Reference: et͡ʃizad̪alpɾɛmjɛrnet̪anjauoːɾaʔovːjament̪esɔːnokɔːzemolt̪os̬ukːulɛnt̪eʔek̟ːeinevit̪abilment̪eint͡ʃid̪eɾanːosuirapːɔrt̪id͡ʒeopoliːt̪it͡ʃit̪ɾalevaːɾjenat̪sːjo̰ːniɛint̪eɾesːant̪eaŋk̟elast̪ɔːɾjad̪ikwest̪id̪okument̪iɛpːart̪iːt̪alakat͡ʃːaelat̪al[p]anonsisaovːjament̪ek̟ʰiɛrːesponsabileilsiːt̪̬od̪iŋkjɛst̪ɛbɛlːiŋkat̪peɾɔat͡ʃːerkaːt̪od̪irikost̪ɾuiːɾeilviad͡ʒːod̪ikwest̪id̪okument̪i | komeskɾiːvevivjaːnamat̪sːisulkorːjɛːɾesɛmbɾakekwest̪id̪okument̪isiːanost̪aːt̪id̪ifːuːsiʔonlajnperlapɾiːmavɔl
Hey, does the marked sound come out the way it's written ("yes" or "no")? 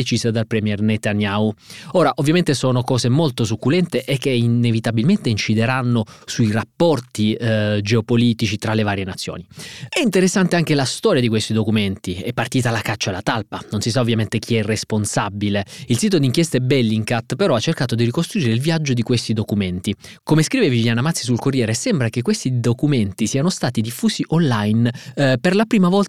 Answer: yes